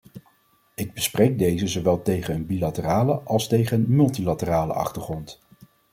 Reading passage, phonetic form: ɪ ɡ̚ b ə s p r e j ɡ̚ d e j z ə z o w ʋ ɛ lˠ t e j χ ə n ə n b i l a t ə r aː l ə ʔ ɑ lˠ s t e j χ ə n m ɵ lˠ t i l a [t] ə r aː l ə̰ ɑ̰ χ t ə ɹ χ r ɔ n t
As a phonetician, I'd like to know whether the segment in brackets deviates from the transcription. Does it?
no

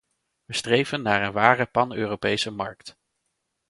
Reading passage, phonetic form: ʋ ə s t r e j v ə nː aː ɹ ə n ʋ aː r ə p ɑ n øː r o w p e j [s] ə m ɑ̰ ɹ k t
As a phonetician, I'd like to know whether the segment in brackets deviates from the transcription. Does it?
no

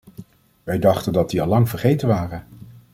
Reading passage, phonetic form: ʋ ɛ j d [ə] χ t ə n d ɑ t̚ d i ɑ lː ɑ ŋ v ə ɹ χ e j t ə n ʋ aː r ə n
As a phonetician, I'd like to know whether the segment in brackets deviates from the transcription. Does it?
yes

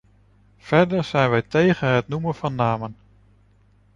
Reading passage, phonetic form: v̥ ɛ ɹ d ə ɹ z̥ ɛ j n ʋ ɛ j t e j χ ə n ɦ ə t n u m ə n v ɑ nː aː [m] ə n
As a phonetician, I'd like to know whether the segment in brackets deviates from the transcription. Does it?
no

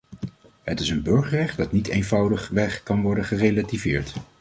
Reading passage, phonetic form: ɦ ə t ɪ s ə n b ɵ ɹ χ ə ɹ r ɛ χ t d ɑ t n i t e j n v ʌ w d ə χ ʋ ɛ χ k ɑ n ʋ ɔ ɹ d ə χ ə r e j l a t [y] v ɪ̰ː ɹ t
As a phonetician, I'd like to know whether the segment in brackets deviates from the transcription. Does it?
yes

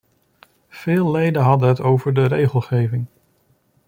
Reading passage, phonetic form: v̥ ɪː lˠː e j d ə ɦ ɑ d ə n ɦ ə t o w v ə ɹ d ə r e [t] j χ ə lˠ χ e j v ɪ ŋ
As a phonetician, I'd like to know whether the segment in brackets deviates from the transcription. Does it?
yes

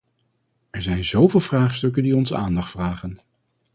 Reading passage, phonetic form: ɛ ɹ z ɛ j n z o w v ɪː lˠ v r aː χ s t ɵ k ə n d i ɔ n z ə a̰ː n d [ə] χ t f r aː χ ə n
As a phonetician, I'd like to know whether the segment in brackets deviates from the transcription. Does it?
yes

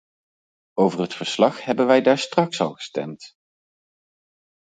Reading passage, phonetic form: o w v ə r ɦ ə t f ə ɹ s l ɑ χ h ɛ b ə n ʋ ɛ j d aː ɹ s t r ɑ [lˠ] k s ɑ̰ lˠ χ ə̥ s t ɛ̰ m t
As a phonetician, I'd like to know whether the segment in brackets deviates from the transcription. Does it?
yes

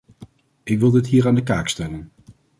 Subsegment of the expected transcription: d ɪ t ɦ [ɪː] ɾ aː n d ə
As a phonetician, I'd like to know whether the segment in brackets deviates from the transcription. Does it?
yes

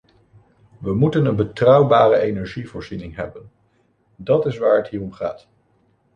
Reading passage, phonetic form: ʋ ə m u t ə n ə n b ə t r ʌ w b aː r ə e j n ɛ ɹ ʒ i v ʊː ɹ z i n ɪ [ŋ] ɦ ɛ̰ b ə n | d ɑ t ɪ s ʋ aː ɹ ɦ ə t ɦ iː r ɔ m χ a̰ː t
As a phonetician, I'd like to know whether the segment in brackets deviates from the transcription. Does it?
no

